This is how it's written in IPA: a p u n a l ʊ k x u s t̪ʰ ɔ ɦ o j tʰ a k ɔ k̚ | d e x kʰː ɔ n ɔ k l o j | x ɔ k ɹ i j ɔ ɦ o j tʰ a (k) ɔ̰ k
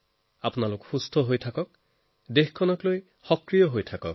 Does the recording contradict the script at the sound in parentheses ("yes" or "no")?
no